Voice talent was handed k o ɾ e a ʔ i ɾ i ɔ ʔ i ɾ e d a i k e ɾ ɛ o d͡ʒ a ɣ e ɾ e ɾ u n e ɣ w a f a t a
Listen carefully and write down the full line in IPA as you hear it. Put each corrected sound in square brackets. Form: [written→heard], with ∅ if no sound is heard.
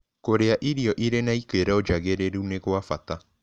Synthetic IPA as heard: k o ɾ e a ʔ i ɾ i ɔ ʔ i ɾ e [d→n] a i k e ɾ ɛ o d͡ʒ a ɣ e ɾ e ɾ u n e ɣ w a f a t a